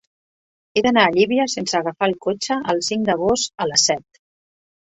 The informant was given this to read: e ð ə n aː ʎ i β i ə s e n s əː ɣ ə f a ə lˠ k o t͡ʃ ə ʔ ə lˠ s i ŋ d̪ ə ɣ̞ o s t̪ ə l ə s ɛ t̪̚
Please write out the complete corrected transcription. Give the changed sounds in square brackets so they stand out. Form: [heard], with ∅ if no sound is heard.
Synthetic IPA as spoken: e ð ə n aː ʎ i β i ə s e n s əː ɣ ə f a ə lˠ k o t͡ʃ ə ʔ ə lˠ s i ŋ d̪ ə ɣ̞ o s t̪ ə l ə s ɛ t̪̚